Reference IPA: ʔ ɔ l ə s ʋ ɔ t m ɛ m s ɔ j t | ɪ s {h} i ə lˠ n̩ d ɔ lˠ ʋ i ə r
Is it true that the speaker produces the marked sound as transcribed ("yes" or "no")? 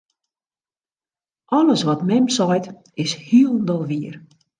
yes